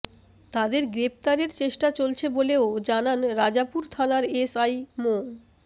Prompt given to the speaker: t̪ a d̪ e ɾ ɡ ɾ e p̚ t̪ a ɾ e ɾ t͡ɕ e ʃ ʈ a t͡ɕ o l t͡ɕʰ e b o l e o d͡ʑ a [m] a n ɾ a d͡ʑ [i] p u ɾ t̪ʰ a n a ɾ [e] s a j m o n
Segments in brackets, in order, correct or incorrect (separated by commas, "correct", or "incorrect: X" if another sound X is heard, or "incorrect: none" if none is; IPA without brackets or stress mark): incorrect: n, incorrect: a, correct